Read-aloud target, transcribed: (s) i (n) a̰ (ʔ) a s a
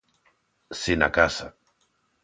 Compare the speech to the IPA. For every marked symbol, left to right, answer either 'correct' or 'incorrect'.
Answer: correct, correct, incorrect

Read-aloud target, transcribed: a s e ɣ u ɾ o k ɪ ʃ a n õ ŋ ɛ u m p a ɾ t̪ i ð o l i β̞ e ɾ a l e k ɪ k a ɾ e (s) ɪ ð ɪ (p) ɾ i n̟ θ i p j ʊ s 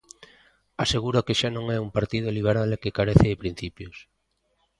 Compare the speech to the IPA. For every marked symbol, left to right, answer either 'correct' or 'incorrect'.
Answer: incorrect, correct

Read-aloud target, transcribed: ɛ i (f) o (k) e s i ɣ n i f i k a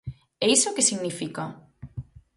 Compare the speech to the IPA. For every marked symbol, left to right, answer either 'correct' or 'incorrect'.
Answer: incorrect, correct

